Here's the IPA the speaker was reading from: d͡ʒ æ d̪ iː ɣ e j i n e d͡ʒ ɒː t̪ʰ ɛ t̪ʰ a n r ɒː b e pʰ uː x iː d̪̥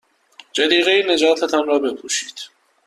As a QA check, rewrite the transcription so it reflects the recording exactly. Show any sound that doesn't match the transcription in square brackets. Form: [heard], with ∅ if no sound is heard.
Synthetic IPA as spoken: d͡ʒ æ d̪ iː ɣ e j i n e d͡ʒ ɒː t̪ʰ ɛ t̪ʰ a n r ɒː b e pʰ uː [ʃ] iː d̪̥